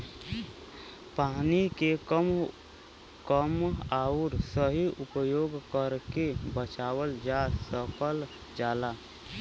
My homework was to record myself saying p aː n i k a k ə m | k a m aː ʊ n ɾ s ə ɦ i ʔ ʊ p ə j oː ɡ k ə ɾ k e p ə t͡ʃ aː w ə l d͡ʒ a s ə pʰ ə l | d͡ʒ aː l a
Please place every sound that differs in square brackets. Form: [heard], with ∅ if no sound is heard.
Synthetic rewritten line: p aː n i k [e] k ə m | k [ə] m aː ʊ [∅] ɾ s ə ɦ i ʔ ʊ p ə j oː ɡ k ə ɾ k e [b] ə t͡ʃ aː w ə l d͡ʒ a s ə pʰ ə l | d͡ʒ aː l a